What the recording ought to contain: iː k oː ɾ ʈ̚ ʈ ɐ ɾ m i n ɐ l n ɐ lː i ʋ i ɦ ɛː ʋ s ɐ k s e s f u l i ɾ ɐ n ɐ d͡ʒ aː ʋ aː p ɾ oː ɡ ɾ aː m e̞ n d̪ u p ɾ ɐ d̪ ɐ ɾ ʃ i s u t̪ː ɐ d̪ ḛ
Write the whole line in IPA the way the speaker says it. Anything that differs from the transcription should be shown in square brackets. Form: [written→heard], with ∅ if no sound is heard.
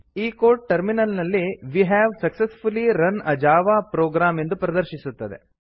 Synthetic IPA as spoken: iː k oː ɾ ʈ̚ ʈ ɐ ɾ m i n ɐ l n ɐ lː i ʋ i ɦ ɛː ʋ s ɐ k s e s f u l i ɾ ɐ n ɐ d͡ʒ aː ʋ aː p ɾ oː ɡ ɾ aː m e̞ n d̪ u p ɾ ɐ d̪ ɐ ɾ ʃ i s u t̪ː ɐ d̪ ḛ

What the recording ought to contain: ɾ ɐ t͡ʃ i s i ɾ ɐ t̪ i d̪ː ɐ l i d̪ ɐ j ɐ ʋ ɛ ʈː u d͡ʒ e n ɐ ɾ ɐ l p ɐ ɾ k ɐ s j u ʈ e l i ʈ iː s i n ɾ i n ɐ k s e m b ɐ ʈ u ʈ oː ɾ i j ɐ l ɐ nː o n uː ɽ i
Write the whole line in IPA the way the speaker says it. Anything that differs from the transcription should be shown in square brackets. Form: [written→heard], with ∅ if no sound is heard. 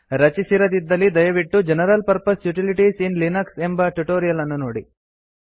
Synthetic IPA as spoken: ɾ ɐ t͡ʃ i s i ɾ ɐ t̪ i d̪ː ɐ l i d̪ ɐ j ɐ ʋ [ɛ→i] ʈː u d͡ʒ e n ɐ ɾ ɐ l p ɐ ɾ [k→p] ɐ s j u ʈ [e→i] l i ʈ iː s i n [ɾ→l] i n ɐ k s e m b ɐ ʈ u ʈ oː ɾ i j ɐ l ɐ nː [o→u] n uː ɽ i

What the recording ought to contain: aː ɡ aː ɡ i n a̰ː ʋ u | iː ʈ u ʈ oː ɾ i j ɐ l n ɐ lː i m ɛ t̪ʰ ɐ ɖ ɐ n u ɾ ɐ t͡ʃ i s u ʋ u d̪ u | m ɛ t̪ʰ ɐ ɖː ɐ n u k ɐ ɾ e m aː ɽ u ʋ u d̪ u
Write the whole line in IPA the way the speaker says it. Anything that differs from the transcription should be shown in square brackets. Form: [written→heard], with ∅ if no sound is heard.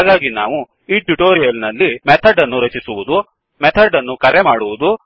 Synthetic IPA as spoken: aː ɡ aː ɡ i n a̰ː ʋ u | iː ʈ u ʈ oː ɾ i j ɐ l n ɐ lː i m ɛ t̪ʰ ɐ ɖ ɐ [n→nː] u ɾ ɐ t͡ʃ i s u ʋ u d̪ u | m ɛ t̪ʰ ɐ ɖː ɐ [n→nː] u k ɐ ɾ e m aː ɽ u ʋ u d̪ u

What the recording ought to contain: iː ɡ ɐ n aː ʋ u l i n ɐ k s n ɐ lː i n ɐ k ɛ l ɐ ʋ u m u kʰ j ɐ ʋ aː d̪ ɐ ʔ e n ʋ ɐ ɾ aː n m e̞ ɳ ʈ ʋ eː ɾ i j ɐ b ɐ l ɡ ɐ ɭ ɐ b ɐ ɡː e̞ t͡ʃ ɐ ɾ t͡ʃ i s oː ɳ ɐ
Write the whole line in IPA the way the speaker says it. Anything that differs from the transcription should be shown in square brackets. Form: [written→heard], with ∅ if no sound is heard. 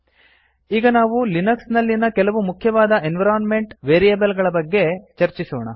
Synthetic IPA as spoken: iː ɡ ɐ n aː ʋ u l i n ɐ k s n ɐ lː i n ɐ k ɛ l ɐ ʋ u m u kʰ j ɐ ʋ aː d̪ ɐ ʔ e n ʋ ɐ ɾ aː n m e̞ ɳ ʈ ʋ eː ɾ i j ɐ b ɐ l ɡ ɐ ɭ ɐ b ɐ ɡː e̞ t͡ʃ ɐ ɾ t͡ʃ i s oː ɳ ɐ

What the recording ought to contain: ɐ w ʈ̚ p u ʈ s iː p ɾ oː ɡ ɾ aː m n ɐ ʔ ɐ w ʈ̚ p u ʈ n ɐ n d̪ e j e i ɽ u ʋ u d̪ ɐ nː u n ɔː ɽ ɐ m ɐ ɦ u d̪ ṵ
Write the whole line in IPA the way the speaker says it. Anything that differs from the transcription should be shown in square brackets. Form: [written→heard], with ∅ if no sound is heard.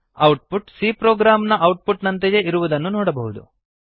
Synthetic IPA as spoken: ɐ w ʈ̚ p u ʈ s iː p ɾ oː ɡ ɾ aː m n ɐ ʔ ɐ w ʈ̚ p u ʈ n ɐ n [d̪→t̪] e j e i [ɽ→ɾ] u ʋ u d̪ ɐ nː u n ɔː ɽ ɐ [m→b] ɐ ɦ u d̪ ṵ

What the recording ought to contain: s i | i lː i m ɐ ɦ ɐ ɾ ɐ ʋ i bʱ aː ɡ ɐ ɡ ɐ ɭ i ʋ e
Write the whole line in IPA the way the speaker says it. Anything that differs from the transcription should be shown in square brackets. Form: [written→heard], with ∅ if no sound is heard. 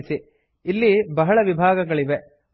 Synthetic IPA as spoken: s i | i lː i [m→b] ɐ ɦ ɐ [ɾ→ɭ] ɐ ʋ i bʱ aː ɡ ɐ ɡ ɐ ɭ i ʋ e

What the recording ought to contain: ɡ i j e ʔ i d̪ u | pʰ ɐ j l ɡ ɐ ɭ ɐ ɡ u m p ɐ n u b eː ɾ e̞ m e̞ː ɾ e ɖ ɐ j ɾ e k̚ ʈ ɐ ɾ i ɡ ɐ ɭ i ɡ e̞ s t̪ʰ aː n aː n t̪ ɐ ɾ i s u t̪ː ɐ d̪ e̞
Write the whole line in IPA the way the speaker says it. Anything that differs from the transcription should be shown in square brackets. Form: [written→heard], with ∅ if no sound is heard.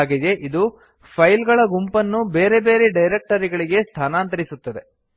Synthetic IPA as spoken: ɡ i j e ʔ i d̪ u | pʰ ɐ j l ɡ ɐ ɭ ɐ ɡ u m p ɐ [n→nː] u b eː ɾ e̞ [m→b] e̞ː ɾ e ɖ ɐ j ɾ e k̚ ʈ ɐ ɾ i ɡ ɐ ɭ i ɡ e̞ s t̪ʰ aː n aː n t̪ ɐ ɾ i s u t̪ː ɐ d̪ e̞

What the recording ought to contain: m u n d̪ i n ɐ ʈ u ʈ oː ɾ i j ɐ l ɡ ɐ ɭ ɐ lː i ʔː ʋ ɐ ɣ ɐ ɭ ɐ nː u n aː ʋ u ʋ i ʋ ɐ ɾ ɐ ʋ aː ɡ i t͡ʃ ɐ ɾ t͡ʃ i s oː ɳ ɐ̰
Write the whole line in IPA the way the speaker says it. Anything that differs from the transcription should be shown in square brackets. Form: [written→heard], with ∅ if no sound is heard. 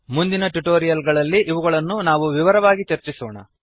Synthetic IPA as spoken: m u n d̪ i n ɐ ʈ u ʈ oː ɾ i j ɐ l ɡ ɐ ɭ ɐ lː i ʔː ʋ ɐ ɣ ɐ ɭ ɐ nː u n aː ʋ u ʋ i ʋ ɐ ɾ ɐ ʋ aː ɡ i t͡ʃ ɐ ɾ t͡ʃ i s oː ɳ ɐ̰

